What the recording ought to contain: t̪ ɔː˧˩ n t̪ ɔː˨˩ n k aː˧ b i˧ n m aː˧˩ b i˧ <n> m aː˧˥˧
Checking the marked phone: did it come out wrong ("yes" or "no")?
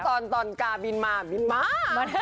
no